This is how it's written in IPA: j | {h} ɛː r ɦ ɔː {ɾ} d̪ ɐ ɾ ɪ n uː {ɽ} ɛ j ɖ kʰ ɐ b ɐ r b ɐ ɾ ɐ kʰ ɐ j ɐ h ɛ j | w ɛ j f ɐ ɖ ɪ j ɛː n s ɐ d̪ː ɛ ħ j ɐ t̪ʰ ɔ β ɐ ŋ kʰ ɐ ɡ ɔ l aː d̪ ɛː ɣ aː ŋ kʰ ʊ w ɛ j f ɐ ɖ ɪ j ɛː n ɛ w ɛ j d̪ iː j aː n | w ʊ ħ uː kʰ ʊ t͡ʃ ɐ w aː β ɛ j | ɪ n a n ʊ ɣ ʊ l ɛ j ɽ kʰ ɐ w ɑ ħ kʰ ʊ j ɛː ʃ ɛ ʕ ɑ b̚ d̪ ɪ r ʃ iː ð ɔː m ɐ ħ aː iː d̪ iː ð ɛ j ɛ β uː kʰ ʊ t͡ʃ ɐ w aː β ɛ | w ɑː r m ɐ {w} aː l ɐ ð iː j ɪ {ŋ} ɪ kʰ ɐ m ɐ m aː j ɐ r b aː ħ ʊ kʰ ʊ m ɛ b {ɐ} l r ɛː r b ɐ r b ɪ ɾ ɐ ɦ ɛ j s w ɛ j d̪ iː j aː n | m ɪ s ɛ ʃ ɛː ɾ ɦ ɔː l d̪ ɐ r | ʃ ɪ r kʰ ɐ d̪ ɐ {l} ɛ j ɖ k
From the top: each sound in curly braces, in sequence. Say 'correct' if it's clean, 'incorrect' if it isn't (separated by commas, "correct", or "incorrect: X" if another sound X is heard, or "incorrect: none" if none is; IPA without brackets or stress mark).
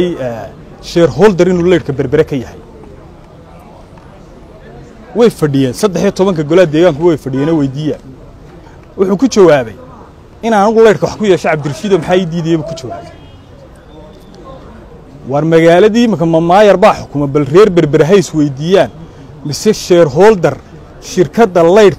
incorrect: ʃ, incorrect: l, incorrect: l, incorrect: ɣ, incorrect: m, correct, correct